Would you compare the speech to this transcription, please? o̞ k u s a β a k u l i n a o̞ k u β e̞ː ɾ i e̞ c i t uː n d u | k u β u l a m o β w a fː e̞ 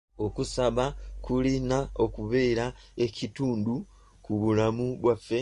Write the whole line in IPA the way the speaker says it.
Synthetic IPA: o̞ k u s a β a k u l i n a o̞ k u β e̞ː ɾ a e̞ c i t uː n d u | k u β u l a m u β w a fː e̞